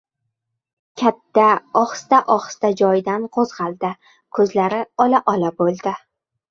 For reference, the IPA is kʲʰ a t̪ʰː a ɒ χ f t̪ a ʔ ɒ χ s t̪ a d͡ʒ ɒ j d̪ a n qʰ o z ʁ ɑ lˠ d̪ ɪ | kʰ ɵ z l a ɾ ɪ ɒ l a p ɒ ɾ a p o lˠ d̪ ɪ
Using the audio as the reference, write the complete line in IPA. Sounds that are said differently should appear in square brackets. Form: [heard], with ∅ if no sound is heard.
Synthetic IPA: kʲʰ a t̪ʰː a ɒ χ [s] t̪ a ʔ ɒ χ s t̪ a d͡ʒ ɒ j d̪ a n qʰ o z ʁ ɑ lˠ d̪ ɪ | kʰ ɵ z l a ɾ ɪ ɒ l a [ʔ] ɒ [l] a [b] o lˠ d̪ ɪ